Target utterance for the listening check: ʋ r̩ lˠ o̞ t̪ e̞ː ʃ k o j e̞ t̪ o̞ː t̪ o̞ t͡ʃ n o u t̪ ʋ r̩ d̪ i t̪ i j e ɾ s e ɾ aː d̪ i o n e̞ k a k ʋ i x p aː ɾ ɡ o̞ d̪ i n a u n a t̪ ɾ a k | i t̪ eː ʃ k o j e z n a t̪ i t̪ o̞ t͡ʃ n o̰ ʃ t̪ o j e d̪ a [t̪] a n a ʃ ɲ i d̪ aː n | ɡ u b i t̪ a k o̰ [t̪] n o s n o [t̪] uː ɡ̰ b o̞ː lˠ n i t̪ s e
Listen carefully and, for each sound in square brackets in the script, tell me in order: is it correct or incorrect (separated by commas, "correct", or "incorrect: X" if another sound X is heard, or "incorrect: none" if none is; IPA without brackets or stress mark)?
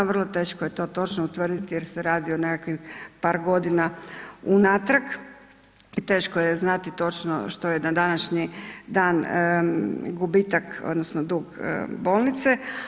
incorrect: d̪, incorrect: d̪, incorrect: d̪